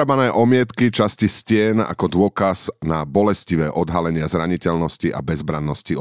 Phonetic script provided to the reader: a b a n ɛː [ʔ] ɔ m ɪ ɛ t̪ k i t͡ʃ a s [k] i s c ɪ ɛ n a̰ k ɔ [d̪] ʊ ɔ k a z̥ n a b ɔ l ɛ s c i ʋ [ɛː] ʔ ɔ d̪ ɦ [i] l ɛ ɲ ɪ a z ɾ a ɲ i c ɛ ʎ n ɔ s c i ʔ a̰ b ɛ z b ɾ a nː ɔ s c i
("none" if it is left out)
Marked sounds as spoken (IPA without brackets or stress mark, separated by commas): ʔ, c, d̪, ɛː, a